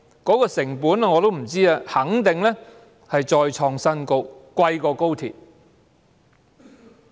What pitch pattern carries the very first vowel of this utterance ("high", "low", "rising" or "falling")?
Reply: rising